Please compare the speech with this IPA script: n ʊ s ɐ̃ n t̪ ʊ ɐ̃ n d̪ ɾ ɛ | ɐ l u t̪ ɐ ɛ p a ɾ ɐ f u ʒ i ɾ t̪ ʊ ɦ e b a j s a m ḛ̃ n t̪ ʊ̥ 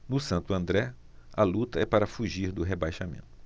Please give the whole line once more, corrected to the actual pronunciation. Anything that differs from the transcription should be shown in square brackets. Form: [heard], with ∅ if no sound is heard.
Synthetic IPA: n ʊ s ɐ̃ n t̪ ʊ ɐ̃ n d̪ ɾ ɛ | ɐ l u t̪ ɐ ɛ p a ɾ ɐ f u ʒ i ɾ [d̪] ʊ ɦ e b a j [ʃ] a m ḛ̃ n t̪ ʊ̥